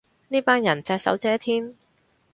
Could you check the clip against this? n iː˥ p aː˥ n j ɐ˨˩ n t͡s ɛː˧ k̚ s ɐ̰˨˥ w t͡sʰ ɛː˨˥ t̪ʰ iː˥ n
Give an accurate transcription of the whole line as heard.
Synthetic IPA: n iː˥ p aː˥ n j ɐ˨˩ n t͡s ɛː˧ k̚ s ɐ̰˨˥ w t͡s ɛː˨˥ t̪ʰ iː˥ n